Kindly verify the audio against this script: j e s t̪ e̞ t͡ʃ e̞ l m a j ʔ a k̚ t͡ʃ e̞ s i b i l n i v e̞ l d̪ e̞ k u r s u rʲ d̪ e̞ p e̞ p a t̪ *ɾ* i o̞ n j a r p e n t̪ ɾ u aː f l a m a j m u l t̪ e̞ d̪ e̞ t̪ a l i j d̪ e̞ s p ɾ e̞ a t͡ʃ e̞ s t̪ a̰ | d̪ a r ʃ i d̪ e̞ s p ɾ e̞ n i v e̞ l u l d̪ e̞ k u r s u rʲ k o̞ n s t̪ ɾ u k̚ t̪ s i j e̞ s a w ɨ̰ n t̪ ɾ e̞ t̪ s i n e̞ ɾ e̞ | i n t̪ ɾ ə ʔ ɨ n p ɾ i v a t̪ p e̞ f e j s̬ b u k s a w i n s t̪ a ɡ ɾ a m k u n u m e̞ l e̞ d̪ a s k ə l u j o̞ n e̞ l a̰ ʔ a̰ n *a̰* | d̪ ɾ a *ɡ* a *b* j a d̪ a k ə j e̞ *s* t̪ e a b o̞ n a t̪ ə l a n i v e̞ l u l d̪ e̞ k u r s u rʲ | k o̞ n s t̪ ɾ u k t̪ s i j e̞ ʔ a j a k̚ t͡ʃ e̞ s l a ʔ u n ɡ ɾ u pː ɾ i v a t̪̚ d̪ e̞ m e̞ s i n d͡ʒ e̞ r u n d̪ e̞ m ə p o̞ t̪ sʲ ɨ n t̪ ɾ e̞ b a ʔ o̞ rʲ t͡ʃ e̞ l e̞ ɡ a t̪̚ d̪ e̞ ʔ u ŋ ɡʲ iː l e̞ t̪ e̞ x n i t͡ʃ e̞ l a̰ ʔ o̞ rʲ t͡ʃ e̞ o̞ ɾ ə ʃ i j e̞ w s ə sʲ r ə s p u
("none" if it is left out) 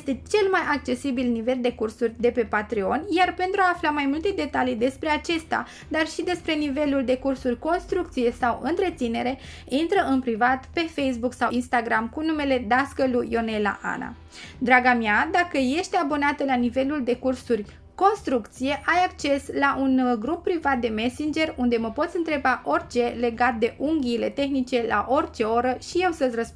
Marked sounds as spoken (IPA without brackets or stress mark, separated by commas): ɾ, a̰, ɡ, m, ʃ